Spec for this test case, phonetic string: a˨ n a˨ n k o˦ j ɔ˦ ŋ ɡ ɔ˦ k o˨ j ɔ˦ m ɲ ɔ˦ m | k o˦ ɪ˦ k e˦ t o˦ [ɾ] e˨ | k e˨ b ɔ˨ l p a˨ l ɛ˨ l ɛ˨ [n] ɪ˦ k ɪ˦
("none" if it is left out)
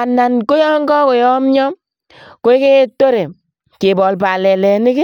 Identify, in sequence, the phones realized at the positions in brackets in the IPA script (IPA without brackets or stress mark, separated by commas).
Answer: ɾ, n